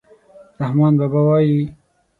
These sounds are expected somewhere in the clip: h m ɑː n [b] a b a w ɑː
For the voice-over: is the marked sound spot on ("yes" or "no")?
yes